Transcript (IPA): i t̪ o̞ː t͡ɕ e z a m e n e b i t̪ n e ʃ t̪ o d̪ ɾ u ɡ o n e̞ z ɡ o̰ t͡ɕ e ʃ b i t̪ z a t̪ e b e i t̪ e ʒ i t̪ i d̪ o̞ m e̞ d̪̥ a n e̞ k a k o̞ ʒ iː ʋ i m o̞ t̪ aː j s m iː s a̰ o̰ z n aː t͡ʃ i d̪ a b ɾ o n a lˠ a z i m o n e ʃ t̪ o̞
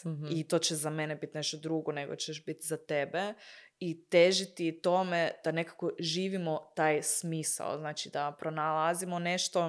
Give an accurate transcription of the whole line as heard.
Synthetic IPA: i t̪ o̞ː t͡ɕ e z a m e n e b i t̪ n e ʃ t̪ o d̪ ɾ u ɡ o n e̞ ɡ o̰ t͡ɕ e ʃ b i t̪ z a t̪ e b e i t̪ e ʒ i t̪ i t̪ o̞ m e̞ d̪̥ a n e̞ k a k o̞ ʒ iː ʋ i m o̞ t̪ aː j s m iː s a̰ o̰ z n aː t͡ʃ i d̪ a p ɾ o n a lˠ a z i m o n e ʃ t̪ o̞